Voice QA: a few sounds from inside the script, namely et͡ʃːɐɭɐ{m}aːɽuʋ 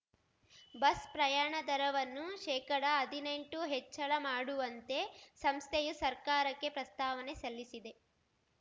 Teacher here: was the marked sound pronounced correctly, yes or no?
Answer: yes